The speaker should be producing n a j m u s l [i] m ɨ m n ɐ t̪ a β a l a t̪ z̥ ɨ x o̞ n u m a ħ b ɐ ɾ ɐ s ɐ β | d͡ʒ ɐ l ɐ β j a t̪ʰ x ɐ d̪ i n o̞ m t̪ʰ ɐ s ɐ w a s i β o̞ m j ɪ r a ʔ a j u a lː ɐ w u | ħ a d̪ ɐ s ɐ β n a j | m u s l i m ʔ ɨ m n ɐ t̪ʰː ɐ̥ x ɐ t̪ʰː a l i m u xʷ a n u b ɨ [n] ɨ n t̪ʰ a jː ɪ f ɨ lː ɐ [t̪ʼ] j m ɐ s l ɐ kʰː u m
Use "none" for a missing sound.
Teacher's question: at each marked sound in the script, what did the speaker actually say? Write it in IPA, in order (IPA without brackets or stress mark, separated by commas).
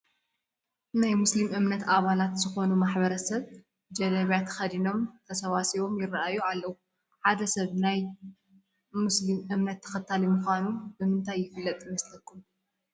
i, m, t̪ʼ